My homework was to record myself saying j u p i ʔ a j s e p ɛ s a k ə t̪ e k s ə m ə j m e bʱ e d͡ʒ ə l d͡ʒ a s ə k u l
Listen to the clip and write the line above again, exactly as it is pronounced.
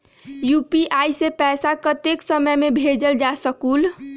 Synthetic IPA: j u p i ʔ a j s e p ɛ s a k ə t̪ e k s ə m ə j m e bʱ e d͡ʒ ə l d͡ʒ a s ə k u l